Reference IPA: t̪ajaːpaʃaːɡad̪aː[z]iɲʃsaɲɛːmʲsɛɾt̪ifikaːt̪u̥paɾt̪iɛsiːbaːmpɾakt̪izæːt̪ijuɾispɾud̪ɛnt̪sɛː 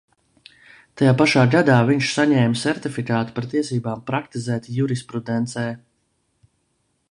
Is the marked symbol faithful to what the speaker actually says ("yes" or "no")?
no